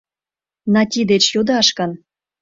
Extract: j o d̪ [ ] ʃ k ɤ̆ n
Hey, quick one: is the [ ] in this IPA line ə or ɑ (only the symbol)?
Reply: ɑ